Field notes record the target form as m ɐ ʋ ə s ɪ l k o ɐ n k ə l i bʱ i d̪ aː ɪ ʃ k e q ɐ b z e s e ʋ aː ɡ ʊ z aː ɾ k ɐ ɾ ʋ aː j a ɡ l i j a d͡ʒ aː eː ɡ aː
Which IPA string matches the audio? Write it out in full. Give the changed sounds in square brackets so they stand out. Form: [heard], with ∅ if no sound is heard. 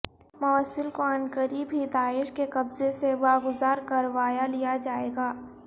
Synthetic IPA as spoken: m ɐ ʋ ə s ɪ l k o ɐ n k ə [ɾ] i bʱ i d̪ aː ɪ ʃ k e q ɐ b z e s e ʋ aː ɡ ʊ z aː ɾ k ɐ ɾ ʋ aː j a [∅] l i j a d͡ʒ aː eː ɡ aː